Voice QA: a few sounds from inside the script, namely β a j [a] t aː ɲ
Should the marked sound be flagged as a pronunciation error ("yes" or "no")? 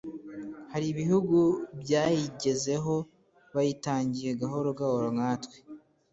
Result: yes